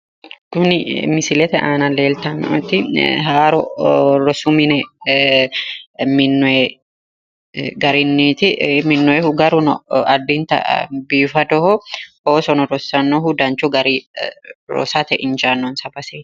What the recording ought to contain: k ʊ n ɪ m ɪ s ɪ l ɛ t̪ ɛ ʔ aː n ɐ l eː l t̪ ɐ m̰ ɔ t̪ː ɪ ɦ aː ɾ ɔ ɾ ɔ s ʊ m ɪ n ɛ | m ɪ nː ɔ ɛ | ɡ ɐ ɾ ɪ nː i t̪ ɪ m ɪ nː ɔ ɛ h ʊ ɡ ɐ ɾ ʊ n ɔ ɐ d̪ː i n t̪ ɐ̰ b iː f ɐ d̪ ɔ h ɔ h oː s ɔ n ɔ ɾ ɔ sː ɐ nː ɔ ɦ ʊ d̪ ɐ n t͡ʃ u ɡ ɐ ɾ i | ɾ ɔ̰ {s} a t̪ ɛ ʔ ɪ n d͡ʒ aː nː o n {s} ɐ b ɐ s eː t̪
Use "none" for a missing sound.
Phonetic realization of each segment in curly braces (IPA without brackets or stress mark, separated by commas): s, s